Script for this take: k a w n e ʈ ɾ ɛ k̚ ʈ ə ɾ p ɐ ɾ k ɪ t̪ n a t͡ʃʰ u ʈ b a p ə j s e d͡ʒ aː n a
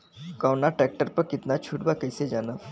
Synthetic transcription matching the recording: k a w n a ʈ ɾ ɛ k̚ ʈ ə ɾ p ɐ ɾ k ɪ t̪ n a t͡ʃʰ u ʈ b a k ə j s e d͡ʒ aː n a